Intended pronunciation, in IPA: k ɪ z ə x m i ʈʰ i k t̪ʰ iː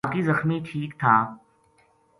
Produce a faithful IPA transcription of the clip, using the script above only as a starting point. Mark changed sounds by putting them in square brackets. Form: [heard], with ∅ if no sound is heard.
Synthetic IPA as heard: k [i] z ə x m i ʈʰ [iː] k t̪ʰ [aː]